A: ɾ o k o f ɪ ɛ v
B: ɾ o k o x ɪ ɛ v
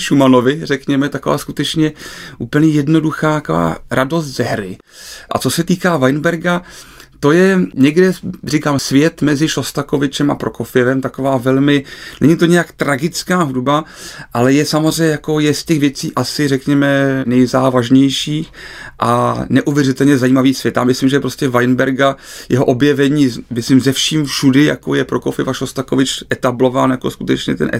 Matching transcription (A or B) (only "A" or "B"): A